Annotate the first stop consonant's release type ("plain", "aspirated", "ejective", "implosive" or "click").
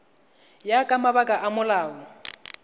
ejective